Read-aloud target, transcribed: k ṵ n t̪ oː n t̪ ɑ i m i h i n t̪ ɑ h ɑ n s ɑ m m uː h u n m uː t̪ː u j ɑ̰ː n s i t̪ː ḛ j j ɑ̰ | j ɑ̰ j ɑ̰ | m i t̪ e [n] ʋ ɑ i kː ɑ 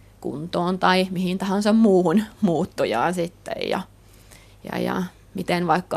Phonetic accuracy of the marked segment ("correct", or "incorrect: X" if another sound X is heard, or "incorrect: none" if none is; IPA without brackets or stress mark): correct